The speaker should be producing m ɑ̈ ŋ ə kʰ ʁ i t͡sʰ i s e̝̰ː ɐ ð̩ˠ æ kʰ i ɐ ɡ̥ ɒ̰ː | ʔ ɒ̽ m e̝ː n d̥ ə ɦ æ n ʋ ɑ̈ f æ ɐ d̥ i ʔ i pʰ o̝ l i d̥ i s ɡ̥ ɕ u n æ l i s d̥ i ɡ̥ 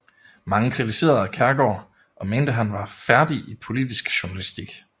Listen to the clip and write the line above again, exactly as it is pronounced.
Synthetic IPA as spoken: m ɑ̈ ŋ ə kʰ ʁ i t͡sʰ i s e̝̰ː ɐ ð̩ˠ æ kʰ æ ɐ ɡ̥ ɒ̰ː | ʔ ɒ̽ m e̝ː n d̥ ə ɦ æ n ʋ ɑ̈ f æ ɐ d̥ i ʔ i pʰ o̝ l i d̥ i s ɡ̥ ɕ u n æ l i s d̥ i ɡ̥